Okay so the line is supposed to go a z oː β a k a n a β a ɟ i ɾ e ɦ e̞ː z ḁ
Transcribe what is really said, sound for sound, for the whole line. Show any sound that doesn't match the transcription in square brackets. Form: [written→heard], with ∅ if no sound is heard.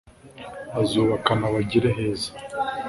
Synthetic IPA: a z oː β a k a n a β a ɟ i ɾ e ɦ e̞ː z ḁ